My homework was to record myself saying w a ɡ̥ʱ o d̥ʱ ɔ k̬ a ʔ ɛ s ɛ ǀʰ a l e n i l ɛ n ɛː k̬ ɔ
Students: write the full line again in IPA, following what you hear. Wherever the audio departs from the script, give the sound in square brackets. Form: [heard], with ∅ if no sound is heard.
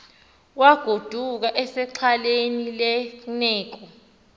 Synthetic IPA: w a ɡ̥ʱ o d̥ʱ [u] k̬ a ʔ ɛ s ɛ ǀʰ a l e n i l ɛ n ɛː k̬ ɔ